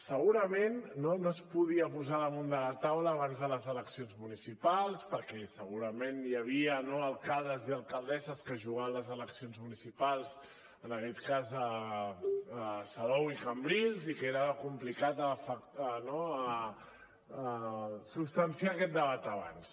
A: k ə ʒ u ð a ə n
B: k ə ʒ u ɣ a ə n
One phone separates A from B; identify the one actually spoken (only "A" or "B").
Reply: B